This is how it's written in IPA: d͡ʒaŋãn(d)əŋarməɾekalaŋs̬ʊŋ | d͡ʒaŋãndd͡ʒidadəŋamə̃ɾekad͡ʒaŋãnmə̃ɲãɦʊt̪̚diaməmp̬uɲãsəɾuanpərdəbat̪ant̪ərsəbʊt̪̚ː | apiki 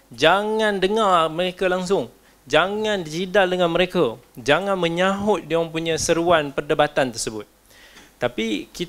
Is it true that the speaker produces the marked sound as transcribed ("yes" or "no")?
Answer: yes